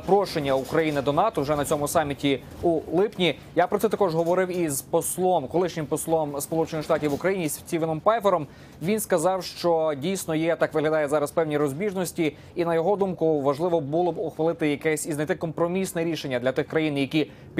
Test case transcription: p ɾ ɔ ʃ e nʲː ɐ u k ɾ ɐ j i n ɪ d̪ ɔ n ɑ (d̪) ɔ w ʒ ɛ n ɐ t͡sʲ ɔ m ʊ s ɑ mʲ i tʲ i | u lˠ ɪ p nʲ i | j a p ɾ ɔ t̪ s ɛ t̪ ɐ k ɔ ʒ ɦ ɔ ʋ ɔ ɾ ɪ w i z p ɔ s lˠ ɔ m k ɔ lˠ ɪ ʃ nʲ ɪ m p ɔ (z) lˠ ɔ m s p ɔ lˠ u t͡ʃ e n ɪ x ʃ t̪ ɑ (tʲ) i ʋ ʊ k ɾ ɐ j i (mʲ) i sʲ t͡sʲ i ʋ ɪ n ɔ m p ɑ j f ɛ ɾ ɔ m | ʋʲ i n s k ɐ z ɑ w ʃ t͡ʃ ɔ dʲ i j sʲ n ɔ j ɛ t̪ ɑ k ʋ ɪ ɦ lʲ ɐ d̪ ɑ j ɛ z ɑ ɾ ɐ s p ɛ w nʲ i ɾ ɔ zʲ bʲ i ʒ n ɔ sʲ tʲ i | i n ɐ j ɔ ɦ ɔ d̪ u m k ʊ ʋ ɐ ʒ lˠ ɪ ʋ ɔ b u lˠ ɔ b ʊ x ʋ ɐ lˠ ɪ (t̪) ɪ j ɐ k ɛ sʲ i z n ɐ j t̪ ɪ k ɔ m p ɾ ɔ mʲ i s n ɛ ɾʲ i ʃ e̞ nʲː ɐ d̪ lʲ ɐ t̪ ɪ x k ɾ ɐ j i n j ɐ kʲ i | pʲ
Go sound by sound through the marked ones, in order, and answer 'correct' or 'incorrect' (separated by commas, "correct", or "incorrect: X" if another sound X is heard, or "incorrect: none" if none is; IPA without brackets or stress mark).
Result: incorrect: t̪, incorrect: s, correct, incorrect: nʲ, correct